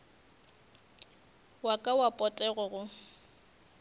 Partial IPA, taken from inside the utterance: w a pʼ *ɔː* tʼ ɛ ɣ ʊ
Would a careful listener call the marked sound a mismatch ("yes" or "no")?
yes